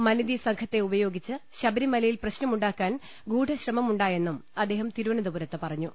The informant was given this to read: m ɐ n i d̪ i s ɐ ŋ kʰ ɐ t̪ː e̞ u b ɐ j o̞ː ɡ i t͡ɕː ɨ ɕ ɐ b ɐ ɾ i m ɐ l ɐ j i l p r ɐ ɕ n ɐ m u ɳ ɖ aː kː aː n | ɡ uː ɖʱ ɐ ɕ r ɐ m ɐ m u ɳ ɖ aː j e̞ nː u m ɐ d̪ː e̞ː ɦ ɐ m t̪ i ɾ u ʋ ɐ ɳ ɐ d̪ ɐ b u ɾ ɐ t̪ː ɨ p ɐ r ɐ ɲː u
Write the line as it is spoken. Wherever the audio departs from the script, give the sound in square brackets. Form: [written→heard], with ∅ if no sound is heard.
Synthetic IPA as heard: m ɐ n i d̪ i s ɐ ŋ kʰ ɐ t̪ː e̞ u b ɐ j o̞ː ɡ i t͡ɕː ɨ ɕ ɐ b ɐ ɾ i m ɐ l ɐ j i l p r ɐ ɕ n ɐ m u ɳ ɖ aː kː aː n | ɡ uː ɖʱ ɐ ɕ r ɐ m ɐ m u ɳ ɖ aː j e̞ nː u m ɐ d̪ː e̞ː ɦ ɐ m t̪ i ɾ u ʋ ɐ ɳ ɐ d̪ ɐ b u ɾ ɐ t̪ː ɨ p ɐ r ɐ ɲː u